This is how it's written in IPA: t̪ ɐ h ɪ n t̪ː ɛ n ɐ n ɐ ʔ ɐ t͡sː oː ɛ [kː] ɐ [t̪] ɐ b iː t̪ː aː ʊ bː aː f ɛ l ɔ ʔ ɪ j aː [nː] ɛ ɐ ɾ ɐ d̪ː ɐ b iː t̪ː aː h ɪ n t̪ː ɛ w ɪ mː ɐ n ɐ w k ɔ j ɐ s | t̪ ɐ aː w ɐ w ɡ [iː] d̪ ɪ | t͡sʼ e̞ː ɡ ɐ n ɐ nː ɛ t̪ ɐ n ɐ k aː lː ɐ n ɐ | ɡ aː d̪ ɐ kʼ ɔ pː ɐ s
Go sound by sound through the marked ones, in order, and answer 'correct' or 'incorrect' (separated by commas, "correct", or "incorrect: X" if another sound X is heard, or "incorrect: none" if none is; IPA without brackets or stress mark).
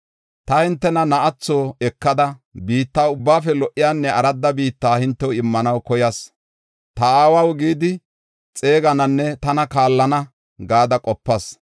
correct, incorrect: d̪, correct, correct